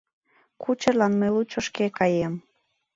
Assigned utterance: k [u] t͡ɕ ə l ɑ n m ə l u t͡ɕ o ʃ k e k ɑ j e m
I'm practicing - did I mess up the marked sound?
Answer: no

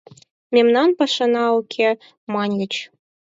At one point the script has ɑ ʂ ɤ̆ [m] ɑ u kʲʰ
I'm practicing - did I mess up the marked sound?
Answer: yes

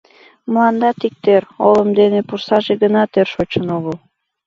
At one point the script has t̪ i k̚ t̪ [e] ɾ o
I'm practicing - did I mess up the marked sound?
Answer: no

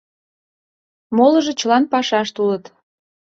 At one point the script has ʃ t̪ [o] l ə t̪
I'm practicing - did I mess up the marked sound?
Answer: yes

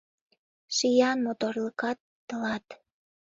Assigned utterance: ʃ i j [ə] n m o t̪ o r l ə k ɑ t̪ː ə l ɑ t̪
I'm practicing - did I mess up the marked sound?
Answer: yes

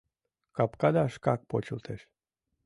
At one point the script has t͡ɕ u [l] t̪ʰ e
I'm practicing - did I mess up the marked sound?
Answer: no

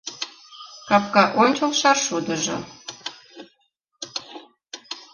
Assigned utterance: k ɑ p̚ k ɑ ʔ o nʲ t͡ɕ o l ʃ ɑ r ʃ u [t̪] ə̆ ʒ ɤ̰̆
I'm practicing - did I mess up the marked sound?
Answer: yes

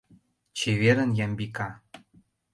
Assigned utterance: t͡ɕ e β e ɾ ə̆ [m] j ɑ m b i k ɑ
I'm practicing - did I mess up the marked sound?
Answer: yes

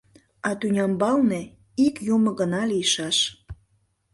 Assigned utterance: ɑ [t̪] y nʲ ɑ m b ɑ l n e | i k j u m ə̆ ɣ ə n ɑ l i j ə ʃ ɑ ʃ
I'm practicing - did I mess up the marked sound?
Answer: no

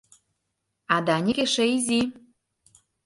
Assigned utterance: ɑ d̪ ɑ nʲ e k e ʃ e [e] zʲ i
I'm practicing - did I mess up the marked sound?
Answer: yes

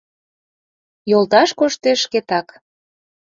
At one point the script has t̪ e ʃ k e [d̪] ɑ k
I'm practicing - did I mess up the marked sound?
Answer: yes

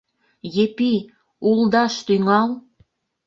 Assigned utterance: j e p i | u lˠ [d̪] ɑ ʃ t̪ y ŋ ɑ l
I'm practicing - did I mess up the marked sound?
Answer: no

